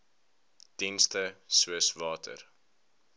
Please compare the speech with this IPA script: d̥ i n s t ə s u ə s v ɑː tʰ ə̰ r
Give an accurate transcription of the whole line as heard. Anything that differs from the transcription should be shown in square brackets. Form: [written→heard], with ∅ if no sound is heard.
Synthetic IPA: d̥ i n s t ə s u ə s v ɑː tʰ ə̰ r